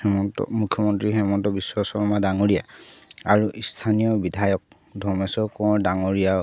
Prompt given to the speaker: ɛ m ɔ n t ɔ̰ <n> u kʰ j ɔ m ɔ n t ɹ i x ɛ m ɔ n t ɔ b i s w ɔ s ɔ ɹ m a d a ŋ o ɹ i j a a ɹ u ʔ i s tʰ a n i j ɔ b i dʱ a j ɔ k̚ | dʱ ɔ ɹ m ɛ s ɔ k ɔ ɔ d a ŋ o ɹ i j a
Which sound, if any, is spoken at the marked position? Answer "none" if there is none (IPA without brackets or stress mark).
m